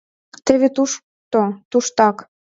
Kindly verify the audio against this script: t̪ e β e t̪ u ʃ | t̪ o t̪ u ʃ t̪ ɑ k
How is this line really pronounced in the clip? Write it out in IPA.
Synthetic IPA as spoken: t̪ e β e t̪ u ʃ | t̪ o t̪ u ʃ t̪ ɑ k